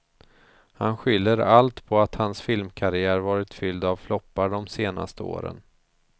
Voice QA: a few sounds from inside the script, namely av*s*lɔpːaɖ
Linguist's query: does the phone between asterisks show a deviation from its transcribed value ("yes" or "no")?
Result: yes